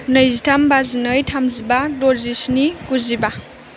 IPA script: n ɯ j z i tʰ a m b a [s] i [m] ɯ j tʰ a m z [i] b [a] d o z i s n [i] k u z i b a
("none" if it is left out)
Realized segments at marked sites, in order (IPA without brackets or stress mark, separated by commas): z, n, i, a, i